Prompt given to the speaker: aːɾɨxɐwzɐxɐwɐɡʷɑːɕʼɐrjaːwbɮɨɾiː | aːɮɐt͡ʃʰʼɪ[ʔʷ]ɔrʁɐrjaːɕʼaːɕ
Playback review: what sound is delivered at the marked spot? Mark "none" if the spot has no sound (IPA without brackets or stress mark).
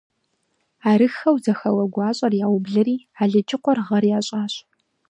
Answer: qʷ